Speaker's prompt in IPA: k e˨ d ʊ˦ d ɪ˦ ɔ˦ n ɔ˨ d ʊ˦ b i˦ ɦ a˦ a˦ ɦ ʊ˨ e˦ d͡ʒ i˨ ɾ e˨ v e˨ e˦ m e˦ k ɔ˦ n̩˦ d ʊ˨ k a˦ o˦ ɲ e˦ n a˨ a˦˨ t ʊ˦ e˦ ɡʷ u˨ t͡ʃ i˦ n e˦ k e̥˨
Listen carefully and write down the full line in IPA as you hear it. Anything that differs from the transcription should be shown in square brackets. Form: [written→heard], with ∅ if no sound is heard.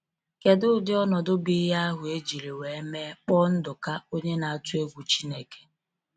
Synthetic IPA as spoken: k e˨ d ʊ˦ d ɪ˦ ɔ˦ n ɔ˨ d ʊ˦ b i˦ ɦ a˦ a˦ ɦ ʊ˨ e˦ d͡ʒ i˨ ɾ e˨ [v→w] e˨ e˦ m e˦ [k→k͡p] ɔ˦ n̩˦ d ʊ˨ k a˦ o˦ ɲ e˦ n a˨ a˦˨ t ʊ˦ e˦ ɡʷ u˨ t͡ʃ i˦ n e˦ k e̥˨